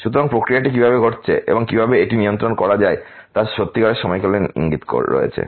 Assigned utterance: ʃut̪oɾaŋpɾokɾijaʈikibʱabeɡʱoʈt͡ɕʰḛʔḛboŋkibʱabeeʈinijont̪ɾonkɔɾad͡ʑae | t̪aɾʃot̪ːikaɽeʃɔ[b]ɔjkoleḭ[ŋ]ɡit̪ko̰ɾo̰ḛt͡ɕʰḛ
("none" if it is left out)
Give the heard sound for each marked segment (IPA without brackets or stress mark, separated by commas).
m, ŋ